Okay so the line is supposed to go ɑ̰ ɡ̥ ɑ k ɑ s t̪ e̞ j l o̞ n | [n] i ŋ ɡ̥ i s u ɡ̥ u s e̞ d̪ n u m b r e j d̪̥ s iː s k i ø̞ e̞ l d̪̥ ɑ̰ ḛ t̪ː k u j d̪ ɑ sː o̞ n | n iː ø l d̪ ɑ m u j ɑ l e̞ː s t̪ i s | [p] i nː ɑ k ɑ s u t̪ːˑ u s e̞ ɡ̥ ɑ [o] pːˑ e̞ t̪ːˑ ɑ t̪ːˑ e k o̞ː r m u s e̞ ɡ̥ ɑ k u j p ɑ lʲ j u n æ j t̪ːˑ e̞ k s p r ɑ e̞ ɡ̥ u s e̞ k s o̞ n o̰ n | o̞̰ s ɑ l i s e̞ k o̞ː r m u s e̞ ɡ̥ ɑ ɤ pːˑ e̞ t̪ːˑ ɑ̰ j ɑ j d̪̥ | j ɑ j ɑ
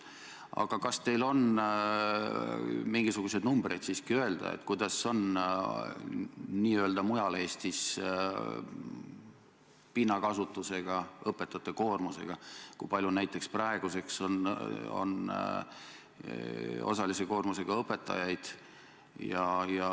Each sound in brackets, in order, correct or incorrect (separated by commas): incorrect, correct, incorrect